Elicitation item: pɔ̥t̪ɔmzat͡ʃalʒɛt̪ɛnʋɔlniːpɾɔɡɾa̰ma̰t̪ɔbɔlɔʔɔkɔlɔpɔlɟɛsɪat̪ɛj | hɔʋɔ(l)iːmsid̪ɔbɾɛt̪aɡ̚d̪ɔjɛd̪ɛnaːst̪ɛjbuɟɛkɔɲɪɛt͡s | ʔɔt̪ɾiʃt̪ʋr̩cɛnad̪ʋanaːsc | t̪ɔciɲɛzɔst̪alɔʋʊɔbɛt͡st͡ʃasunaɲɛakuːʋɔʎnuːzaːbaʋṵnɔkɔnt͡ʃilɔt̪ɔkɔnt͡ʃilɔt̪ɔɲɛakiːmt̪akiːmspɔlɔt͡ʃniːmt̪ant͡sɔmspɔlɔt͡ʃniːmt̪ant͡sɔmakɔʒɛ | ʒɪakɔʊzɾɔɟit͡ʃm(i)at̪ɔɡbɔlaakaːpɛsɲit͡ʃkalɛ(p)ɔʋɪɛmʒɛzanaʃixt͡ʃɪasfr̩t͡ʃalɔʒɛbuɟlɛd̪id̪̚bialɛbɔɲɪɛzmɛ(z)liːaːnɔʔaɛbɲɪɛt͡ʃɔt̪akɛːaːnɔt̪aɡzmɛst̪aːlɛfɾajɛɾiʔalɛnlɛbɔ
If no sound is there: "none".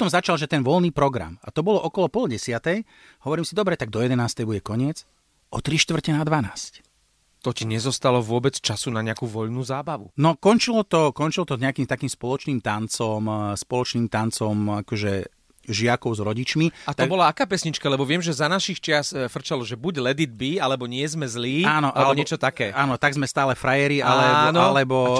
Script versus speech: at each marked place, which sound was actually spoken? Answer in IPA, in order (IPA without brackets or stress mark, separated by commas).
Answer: ɾ, i, b, z